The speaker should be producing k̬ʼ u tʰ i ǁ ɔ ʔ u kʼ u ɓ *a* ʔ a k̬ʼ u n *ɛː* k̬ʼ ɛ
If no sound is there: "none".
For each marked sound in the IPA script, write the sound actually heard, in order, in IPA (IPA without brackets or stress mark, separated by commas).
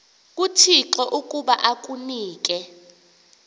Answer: a, iː